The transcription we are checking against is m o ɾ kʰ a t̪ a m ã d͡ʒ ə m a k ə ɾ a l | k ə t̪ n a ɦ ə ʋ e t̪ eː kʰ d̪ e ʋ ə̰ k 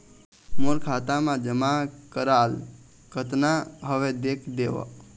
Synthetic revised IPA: m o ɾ kʰ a t̪ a m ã d͡ʒ ə m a k ə ɾ a l | k ə t̪ n a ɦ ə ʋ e d̪ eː kʰ d̪ e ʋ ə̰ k